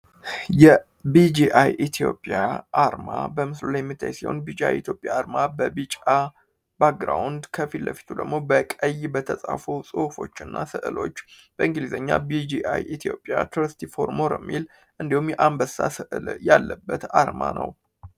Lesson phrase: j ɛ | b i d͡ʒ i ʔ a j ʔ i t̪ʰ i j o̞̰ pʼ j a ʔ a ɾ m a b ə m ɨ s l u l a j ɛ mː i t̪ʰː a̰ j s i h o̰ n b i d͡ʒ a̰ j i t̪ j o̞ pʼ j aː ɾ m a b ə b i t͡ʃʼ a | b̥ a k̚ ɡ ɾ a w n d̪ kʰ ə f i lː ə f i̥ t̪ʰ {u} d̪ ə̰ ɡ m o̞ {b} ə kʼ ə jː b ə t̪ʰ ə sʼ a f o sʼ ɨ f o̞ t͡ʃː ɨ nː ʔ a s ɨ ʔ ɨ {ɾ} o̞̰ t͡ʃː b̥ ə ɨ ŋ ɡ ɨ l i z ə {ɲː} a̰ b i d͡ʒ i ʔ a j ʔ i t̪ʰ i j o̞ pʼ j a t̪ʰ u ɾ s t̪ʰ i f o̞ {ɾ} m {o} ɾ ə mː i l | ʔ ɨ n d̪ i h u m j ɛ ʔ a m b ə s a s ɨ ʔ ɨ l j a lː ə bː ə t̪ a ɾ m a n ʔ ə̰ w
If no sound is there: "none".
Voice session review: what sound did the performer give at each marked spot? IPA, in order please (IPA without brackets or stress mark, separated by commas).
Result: u, b, l, ɲː, ɾ, o